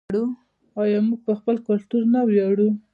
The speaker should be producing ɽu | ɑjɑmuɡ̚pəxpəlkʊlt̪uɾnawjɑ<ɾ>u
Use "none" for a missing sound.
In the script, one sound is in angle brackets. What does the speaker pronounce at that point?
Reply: ɽ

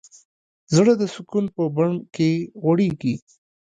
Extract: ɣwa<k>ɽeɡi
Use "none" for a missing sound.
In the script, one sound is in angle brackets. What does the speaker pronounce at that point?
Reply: none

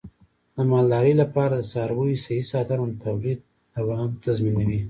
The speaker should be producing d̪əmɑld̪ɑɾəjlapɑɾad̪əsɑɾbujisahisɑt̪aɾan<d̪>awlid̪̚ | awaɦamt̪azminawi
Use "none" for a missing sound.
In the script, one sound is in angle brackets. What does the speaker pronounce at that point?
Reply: t̪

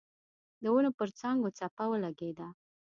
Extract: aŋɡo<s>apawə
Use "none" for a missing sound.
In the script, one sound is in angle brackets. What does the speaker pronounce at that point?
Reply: t͡s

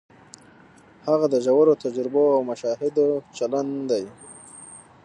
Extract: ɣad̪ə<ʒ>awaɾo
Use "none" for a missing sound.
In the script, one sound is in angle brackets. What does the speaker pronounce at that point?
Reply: ʒ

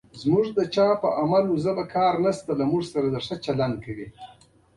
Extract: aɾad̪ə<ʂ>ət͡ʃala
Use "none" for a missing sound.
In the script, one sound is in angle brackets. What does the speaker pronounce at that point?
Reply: ʂ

